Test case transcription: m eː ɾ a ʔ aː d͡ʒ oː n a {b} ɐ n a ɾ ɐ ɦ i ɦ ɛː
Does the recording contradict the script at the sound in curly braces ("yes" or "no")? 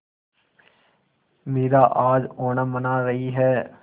yes